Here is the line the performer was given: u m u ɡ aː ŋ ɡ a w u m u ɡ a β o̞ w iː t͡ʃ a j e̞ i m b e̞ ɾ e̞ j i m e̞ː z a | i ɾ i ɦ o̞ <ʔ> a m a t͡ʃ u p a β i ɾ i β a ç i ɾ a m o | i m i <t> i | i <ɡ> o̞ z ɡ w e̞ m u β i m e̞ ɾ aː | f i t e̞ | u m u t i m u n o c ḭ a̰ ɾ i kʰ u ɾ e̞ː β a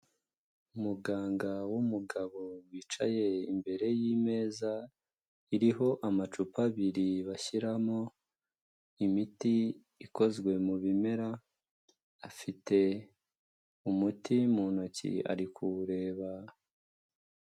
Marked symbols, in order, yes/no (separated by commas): yes, yes, no